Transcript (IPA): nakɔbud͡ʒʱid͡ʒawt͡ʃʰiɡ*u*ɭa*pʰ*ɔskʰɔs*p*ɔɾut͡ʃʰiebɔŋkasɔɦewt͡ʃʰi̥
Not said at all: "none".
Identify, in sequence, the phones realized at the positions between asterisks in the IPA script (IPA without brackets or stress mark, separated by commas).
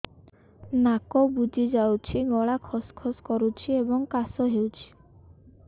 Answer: ɔ, kʰ, k